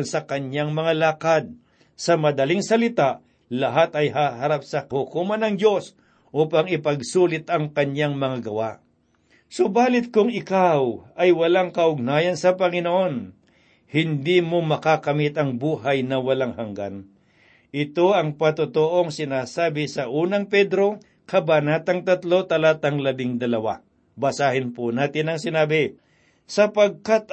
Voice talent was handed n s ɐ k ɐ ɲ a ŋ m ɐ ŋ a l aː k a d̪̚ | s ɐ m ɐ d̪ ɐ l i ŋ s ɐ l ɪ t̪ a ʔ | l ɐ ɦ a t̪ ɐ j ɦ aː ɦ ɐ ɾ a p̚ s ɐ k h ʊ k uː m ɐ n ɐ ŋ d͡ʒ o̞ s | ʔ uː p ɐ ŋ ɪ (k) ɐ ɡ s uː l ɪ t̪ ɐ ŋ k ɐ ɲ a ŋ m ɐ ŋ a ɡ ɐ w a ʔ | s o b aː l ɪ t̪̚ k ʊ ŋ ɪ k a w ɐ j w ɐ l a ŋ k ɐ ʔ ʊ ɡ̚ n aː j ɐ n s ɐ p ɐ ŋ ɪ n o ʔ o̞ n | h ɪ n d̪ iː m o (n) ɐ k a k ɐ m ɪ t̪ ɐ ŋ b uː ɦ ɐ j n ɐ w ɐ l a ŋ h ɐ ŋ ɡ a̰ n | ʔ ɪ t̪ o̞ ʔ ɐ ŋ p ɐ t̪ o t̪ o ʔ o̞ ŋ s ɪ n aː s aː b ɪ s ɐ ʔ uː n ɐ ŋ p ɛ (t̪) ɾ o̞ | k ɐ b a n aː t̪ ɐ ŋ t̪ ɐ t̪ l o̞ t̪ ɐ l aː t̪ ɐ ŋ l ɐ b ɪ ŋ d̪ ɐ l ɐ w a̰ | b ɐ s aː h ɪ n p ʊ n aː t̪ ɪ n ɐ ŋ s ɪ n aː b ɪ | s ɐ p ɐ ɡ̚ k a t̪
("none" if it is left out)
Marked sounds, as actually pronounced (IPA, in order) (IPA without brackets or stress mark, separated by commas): p, m, d̪